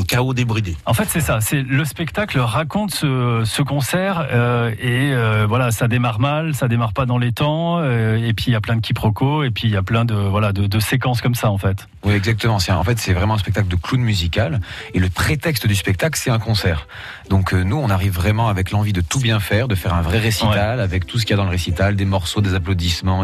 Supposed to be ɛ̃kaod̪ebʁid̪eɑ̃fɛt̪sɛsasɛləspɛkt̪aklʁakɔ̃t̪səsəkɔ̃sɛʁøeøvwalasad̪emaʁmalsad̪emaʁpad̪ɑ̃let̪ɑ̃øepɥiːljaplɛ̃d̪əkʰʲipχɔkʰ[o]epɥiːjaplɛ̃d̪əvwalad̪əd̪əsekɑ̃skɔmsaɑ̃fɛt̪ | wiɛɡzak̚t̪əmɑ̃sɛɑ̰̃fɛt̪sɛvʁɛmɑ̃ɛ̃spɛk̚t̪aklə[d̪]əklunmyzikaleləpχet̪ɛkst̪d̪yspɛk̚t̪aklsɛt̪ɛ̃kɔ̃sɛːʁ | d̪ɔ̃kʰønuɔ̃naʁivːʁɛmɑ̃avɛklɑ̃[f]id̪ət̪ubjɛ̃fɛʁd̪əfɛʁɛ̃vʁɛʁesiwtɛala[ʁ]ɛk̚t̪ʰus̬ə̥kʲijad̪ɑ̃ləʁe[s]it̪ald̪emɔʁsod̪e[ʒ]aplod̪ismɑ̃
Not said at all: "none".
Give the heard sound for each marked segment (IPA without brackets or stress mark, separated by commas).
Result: o, d̪, v, v, s, z